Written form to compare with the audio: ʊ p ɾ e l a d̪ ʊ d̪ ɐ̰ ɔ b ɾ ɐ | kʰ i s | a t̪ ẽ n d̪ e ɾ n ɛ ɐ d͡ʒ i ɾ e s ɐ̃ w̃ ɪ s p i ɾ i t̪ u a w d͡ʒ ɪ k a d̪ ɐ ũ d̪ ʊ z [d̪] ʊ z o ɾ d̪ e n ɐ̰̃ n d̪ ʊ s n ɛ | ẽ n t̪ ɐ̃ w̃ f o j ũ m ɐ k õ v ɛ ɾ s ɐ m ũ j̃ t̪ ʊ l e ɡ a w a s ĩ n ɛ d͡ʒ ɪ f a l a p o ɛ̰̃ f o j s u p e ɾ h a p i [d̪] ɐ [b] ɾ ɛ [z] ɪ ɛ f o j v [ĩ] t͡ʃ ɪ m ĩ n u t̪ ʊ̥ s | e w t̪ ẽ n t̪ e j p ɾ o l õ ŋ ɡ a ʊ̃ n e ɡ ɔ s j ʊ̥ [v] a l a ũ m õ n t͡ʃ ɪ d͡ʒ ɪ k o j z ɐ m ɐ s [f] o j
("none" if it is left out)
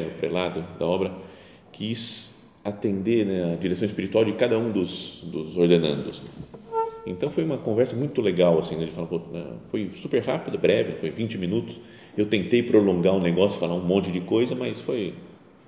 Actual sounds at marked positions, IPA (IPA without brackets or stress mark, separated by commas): d̪, d̪, b, v, ĩ, f, f